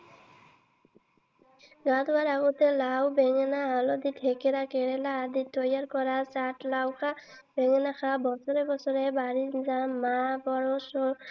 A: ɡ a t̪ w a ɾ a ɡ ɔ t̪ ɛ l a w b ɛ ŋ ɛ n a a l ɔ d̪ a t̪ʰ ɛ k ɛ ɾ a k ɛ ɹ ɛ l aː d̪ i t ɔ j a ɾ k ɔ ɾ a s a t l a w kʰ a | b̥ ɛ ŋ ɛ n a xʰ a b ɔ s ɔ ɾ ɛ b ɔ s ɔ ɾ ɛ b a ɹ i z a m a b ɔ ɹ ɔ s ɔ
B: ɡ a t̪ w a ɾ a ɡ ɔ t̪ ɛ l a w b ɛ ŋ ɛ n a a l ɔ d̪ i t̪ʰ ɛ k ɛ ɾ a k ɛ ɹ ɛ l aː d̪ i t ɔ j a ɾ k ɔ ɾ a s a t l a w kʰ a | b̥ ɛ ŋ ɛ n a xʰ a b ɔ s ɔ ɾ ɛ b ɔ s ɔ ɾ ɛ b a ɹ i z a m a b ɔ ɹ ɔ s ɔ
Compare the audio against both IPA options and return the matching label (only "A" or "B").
B